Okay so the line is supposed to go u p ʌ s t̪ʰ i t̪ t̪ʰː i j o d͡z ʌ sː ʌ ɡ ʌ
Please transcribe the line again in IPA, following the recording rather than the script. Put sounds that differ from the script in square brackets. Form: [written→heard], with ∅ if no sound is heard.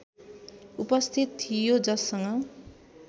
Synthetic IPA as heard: u p ʌ s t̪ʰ i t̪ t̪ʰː i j o d͡z ʌ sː ʌ [ɡ→ŋ] ʌ